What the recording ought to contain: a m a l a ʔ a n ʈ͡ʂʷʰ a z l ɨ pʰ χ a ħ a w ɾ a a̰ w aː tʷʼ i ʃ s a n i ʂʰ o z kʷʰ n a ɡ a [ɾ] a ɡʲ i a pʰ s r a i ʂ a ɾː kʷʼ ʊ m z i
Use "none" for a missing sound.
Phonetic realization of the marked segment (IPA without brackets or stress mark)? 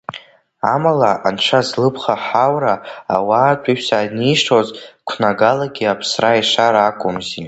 l